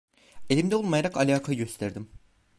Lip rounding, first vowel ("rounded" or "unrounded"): unrounded